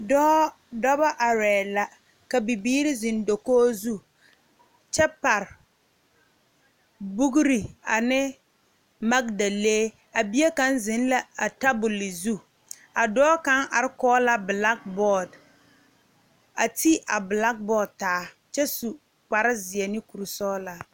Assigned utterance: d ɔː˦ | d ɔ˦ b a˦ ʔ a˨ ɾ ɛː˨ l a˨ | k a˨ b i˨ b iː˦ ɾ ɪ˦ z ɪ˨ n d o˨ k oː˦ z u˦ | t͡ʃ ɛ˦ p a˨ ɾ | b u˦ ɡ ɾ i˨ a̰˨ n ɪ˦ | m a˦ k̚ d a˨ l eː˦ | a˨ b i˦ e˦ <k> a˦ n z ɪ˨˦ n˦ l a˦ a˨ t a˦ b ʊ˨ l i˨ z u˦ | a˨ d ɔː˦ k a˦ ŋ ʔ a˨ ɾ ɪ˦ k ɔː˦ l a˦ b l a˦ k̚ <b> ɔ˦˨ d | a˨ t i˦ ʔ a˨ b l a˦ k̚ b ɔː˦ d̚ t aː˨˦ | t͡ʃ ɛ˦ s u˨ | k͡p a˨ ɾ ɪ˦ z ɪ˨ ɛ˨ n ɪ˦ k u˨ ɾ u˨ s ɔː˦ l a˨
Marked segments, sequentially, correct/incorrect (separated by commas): correct, correct